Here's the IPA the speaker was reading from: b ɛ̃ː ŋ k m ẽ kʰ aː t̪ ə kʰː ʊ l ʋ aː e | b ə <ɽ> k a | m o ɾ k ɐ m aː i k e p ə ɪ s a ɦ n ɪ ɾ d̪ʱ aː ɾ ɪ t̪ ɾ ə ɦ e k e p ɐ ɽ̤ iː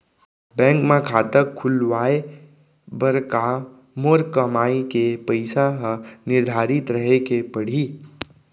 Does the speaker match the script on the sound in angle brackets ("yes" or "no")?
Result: no